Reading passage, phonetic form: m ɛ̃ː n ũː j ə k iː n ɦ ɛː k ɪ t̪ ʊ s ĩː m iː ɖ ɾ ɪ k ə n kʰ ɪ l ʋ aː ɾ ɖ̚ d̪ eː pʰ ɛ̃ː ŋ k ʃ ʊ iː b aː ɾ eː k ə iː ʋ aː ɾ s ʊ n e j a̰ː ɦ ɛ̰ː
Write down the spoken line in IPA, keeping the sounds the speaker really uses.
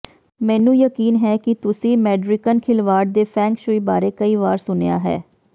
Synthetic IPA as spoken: m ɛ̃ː n ũː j ə k iː n ɦ ɛː k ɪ t̪ ʊ s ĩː m ɛː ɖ ɾ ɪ k ə n kʰ ɪ l ʋ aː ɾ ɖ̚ d̪ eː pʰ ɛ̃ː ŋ k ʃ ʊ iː b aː ɾ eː k ə iː ʋ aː ɾ s ʊ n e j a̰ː ɦ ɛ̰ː